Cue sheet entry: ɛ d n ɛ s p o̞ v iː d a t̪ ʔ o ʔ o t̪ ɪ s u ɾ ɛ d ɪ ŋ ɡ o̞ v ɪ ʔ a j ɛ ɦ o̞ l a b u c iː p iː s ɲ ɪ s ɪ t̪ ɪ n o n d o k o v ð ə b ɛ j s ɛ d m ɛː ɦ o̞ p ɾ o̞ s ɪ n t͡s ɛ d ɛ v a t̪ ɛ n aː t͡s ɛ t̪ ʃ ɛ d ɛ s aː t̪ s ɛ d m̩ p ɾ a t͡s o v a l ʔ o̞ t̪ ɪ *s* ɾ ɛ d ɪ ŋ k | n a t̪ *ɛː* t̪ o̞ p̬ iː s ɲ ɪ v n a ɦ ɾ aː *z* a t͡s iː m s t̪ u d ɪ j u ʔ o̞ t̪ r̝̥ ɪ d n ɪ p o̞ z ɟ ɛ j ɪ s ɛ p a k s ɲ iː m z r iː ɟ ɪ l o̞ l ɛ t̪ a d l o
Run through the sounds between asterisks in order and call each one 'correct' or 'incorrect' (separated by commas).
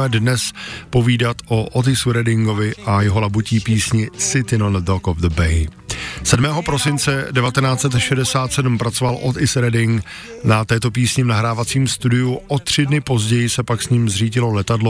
correct, correct, incorrect